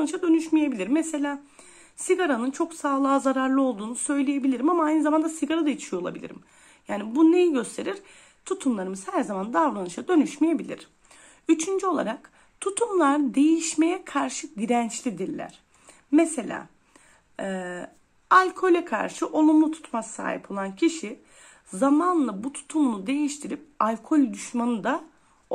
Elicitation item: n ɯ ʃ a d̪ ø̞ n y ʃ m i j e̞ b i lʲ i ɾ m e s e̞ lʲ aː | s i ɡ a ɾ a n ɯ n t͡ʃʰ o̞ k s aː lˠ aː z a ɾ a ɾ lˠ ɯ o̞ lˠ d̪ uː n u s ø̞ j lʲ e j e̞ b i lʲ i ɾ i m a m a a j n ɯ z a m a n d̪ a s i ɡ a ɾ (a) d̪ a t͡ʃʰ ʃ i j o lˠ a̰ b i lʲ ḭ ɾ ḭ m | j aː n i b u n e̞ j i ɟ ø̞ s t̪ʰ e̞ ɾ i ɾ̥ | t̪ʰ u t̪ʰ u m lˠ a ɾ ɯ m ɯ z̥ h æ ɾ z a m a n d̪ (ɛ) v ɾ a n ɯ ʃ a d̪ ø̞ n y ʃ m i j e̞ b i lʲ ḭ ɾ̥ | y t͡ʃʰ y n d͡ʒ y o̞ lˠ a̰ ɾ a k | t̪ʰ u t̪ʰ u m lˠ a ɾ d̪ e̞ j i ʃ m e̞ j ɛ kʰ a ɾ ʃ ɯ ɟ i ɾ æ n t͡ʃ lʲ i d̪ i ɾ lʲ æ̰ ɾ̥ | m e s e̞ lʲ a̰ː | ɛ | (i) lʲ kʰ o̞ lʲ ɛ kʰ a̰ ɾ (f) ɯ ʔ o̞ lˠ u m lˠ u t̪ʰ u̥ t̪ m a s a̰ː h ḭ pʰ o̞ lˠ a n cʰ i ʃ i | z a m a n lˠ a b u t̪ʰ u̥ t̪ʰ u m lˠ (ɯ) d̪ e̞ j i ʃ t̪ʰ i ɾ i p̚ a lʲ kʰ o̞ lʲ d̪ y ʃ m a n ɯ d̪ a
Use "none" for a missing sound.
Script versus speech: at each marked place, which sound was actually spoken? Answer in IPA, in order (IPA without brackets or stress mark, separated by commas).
a, a, a, ʃ, u